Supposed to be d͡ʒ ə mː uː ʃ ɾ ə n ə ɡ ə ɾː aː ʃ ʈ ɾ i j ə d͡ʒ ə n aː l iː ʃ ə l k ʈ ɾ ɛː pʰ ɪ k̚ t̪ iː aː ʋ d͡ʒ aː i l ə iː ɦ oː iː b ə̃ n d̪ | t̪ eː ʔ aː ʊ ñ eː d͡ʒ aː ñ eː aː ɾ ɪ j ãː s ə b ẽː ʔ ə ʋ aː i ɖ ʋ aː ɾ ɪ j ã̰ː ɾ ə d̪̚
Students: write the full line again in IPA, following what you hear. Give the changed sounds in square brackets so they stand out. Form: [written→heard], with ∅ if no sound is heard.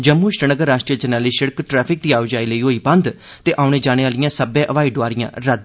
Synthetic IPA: d͡ʒ ə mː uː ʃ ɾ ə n ə ɡ ə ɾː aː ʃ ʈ ɾ i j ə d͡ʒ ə n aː l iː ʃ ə [l→ɽ] k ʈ ɾ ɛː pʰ ɪ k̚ [t̪→d̪] iː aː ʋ d͡ʒ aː i l ə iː ɦ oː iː b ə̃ n d̪ | t̪ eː ʔ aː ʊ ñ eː d͡ʒ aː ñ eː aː [ɾ→l] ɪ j ãː s ə b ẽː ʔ ə ʋ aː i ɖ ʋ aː ɾ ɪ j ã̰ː ɾ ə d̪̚